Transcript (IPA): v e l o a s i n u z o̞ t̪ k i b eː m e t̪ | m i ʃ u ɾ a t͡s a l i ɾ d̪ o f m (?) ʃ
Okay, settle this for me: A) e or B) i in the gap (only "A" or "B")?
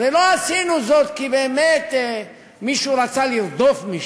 B